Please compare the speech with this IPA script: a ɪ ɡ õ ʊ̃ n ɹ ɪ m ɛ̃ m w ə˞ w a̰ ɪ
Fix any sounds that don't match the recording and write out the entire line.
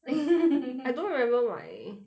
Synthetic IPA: a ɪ d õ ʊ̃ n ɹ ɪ m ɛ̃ m b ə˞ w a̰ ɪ